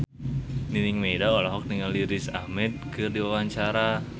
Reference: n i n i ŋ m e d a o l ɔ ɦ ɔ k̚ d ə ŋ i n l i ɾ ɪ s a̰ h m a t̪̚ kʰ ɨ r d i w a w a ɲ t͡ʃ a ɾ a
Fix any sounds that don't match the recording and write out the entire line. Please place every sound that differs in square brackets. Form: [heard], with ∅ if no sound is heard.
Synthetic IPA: n i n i ŋ m e d a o l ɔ ɦ ɔ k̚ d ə ŋ [a] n l i ɾ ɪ s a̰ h m [ɛ] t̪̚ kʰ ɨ r d i w a w a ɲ t͡ʃ a ɾ a